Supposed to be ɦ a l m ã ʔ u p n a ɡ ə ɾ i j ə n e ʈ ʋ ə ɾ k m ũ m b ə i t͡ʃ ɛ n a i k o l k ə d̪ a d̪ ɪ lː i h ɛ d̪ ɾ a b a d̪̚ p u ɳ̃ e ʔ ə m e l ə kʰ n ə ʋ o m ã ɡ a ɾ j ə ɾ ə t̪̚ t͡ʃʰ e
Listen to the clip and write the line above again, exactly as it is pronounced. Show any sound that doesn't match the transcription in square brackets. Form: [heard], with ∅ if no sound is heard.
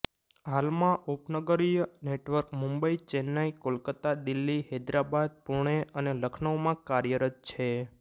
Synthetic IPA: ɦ a l m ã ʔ u p n [ə] ɡ ə ɾ i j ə n e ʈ ʋ ə ɾ k m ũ m b ə i t͡ʃ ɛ n a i k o l k ə [t̪] a d̪ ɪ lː i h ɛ d̪ ɾ a b a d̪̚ p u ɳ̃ e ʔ ə [n] e l ə kʰ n ə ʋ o m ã [k] a ɾ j ə ɾ ə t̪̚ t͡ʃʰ e